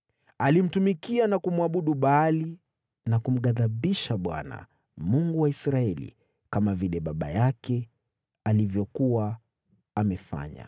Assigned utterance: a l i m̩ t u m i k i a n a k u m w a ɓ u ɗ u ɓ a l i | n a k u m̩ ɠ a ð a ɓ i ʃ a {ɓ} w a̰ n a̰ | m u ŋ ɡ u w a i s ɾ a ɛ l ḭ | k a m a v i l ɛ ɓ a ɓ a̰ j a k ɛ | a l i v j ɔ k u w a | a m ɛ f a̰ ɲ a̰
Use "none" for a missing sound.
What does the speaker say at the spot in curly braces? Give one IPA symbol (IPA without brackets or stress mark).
ɓ